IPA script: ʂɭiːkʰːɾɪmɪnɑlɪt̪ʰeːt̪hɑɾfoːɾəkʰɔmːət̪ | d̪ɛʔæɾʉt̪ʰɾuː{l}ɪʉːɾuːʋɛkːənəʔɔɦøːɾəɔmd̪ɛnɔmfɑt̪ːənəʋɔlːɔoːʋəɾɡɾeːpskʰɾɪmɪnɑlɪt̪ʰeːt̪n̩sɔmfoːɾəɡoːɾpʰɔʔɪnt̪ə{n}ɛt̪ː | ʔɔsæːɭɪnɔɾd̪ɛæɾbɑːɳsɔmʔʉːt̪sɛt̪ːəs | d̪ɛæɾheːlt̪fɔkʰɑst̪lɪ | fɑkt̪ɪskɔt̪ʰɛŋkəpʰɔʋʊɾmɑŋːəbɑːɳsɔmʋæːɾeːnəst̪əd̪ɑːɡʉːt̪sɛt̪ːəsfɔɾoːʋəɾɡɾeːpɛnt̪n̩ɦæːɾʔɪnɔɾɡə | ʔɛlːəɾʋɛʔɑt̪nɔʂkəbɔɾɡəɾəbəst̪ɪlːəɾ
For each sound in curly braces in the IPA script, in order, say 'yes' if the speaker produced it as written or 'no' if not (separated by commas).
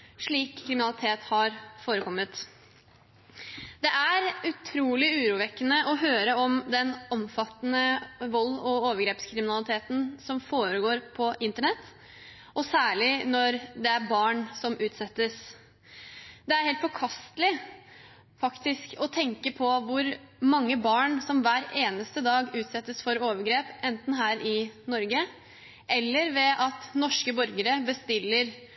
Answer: yes, no